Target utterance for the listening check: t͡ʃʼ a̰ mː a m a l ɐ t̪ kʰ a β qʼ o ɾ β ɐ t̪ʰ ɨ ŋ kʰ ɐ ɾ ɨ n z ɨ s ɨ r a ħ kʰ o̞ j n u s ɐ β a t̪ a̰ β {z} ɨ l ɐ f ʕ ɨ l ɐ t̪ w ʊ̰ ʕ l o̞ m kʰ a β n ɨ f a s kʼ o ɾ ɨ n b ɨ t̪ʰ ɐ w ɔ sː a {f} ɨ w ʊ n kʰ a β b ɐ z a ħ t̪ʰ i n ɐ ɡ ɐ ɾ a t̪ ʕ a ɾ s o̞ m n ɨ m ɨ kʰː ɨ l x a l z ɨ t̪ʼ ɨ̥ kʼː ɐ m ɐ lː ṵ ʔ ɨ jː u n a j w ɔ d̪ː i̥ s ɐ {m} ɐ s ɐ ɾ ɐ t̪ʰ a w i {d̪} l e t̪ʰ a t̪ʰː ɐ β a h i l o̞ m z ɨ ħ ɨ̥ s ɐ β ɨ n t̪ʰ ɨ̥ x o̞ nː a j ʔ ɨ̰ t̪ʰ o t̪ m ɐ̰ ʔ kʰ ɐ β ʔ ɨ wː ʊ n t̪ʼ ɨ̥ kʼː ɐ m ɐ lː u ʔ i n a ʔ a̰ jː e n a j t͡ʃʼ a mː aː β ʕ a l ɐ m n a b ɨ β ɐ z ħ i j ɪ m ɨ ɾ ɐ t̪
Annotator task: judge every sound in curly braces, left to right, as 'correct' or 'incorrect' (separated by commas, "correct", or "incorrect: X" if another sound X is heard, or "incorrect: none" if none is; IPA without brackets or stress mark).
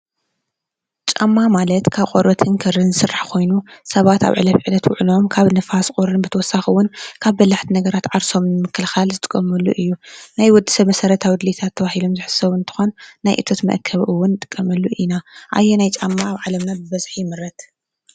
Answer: incorrect: ʕ, incorrect: x, correct, correct